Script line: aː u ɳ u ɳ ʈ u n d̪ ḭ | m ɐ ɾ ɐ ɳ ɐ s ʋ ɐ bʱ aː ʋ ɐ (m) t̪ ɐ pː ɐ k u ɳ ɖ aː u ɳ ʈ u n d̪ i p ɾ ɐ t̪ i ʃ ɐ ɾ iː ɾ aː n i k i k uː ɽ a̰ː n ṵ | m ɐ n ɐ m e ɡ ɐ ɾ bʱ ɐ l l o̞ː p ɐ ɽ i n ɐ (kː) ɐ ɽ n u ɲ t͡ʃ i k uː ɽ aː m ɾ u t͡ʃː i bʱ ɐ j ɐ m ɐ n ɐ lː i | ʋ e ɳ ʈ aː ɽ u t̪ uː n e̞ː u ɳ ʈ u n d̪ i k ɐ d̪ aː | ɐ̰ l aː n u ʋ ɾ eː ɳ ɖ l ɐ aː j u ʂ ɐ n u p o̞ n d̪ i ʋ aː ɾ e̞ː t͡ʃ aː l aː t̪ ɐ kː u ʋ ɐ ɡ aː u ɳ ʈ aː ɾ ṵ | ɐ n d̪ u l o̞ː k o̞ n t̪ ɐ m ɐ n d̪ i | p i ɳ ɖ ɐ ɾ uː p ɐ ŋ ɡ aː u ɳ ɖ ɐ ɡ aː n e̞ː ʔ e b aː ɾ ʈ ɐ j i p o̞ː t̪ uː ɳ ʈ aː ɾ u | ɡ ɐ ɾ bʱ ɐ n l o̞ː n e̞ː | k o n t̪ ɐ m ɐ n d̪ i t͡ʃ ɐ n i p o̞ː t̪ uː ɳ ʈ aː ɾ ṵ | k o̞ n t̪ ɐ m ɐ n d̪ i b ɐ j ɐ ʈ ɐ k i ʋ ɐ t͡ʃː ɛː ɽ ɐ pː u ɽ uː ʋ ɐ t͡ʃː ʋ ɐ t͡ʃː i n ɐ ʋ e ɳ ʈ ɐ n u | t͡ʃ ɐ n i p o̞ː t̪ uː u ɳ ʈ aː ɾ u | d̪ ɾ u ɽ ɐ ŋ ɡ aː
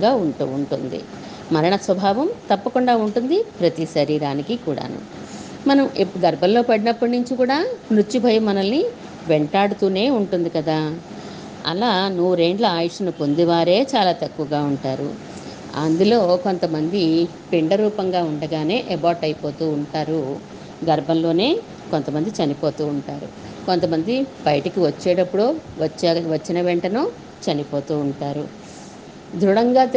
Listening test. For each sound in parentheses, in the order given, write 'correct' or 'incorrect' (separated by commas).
correct, incorrect